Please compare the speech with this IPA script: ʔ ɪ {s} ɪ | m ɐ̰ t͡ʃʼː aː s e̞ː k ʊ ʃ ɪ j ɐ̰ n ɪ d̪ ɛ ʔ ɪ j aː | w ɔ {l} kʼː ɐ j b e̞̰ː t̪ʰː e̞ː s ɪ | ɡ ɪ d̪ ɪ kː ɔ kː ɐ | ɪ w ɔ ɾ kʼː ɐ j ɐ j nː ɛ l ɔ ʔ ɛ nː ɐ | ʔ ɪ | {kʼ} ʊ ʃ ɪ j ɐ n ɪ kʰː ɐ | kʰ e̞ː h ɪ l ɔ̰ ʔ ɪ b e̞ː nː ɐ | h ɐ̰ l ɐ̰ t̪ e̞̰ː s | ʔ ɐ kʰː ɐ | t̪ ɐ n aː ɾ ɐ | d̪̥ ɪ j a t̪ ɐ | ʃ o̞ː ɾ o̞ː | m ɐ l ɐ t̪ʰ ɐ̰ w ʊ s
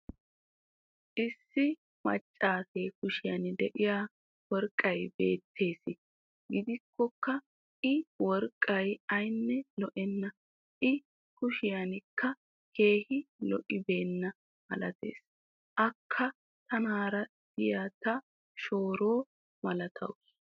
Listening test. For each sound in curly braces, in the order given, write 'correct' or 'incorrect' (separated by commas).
incorrect, incorrect, incorrect